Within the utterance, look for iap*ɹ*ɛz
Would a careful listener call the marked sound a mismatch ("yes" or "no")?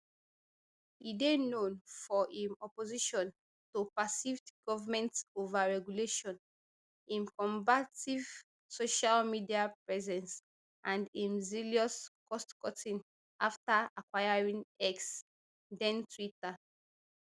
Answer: no